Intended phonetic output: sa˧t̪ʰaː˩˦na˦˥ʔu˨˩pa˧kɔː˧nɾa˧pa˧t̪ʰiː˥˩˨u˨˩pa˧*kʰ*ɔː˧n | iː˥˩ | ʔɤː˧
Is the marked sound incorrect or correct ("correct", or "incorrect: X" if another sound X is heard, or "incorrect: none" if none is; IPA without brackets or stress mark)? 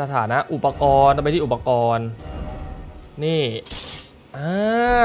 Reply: incorrect: k